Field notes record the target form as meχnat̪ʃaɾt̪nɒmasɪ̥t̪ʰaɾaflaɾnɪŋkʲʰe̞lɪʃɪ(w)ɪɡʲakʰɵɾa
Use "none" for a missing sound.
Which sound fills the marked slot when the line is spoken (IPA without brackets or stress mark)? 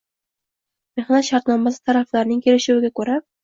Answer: w